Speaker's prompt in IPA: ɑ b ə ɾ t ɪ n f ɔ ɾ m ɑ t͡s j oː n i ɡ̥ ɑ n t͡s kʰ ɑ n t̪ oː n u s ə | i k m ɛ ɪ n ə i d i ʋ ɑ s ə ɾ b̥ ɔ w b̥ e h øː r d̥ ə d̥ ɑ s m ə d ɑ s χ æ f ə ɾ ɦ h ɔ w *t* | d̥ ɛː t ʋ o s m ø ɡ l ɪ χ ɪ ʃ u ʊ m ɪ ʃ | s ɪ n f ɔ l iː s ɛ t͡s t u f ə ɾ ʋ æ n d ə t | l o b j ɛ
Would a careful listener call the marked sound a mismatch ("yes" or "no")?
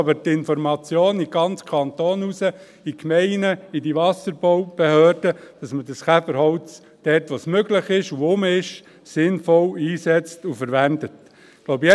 yes